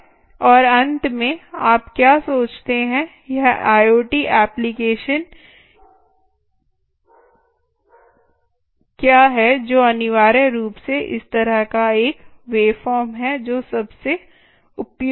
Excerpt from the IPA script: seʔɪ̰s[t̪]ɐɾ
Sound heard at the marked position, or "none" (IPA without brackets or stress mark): t̪